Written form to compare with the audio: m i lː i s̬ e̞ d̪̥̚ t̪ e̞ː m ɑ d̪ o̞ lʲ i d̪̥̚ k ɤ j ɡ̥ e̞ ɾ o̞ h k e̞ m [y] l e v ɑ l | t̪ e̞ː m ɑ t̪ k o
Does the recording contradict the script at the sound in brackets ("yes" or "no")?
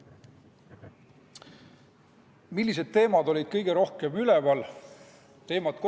no